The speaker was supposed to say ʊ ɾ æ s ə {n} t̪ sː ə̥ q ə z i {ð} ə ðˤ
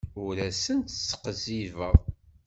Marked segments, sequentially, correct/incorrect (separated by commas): correct, incorrect